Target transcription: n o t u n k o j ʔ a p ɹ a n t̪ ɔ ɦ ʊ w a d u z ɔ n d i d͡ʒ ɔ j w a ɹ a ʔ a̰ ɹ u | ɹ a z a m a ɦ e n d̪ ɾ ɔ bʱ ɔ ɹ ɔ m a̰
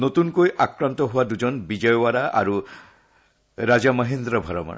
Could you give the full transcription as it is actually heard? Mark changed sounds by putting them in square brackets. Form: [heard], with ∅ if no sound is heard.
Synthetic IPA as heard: n o t u n k o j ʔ a [k] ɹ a n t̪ ɔ ɦ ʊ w a d u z ɔ n [b] i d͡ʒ ɔ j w a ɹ a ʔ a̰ ɹ u | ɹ a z a m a ɦ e n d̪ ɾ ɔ bʱ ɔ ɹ ɔ m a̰